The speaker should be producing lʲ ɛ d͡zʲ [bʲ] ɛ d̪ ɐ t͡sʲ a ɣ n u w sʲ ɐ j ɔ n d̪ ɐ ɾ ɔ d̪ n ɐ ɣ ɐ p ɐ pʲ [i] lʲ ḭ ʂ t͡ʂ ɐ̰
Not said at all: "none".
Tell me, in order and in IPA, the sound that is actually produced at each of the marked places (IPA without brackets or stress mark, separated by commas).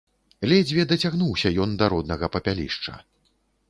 vʲ, a